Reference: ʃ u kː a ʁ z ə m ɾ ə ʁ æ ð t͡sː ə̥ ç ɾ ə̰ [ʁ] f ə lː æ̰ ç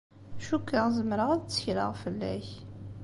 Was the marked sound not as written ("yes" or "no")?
no